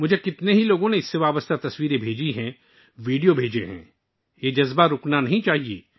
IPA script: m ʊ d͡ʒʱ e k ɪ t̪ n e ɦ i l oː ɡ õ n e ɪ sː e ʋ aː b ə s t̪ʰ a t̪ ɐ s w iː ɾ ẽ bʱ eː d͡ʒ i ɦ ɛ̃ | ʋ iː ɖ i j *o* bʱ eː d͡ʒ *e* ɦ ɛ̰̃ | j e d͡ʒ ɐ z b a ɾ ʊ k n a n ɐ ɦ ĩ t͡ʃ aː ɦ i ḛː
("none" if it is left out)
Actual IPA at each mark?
o, e

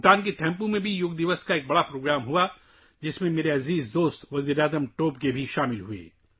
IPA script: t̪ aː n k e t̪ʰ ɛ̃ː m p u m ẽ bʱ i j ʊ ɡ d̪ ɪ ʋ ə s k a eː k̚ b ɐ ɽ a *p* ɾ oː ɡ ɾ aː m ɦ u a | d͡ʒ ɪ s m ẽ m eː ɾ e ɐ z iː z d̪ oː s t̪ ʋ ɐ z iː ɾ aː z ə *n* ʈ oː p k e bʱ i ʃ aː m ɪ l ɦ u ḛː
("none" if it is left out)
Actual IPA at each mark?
p, m

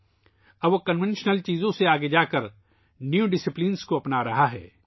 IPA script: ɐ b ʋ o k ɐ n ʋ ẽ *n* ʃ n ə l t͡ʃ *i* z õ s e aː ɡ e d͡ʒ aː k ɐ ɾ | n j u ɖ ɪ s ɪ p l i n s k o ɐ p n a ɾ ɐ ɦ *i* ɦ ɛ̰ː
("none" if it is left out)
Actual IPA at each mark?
n, iː, a

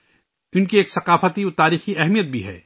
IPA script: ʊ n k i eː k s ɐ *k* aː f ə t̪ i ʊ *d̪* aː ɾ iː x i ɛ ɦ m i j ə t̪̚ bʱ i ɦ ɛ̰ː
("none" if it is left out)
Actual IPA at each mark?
q, t̪

